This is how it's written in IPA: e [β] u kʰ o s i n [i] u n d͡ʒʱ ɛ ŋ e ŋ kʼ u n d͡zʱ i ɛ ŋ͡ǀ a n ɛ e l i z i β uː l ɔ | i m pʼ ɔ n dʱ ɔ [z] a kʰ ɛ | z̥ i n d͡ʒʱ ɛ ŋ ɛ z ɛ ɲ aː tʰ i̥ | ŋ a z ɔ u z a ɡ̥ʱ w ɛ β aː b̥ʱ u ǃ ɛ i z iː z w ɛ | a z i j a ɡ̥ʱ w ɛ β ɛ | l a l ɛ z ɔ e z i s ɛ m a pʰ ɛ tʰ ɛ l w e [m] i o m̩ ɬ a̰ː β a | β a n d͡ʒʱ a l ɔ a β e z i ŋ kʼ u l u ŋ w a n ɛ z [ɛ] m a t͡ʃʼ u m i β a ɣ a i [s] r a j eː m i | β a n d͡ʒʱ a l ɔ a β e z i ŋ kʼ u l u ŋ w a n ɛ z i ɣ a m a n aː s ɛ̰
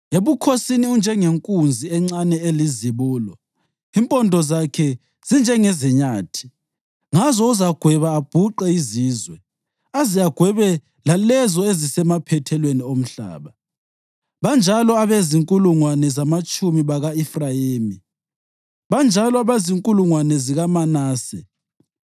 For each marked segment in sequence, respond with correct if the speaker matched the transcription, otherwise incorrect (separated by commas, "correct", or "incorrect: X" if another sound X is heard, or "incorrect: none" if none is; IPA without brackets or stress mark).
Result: correct, correct, correct, incorrect: n, incorrect: a, incorrect: f